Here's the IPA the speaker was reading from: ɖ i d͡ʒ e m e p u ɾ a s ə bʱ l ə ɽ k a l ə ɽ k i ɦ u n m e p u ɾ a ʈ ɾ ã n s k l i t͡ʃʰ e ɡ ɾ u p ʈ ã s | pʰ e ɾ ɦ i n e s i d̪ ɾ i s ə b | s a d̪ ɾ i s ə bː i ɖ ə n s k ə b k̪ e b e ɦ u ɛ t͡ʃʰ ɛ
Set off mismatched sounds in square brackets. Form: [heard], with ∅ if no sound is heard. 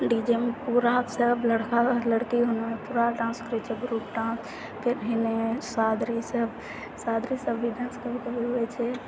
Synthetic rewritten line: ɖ i d͡ʒ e m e p u ɾ a s ə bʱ l ə ɽ k a l ə ɽ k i ɦ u n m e p u ɾ a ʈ ɾ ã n s k [ɾ] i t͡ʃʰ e ɡ ɾ u p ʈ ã s | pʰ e ɾ ɦ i n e s [a] d̪ ɾ i s ə b | s a d̪ ɾ i s ə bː i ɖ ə n s k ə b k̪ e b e ɦ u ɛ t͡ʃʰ ɛ